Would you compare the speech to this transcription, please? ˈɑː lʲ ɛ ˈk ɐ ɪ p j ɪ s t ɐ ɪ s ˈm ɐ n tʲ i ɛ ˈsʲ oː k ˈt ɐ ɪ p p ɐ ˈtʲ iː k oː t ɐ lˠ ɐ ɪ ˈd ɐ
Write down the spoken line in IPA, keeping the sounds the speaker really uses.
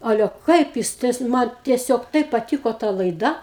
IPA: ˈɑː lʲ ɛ ˈk ɐ ɪ p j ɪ s t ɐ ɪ s ˈm ɐ n tʲ i ɛ ˈsʲ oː k ˈt ɐ ɪ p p ɐ ˈtʲ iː k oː t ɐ lˠ ɐ ɪ ˈd ɐ